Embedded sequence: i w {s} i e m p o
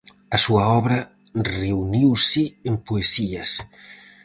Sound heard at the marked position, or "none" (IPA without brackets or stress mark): s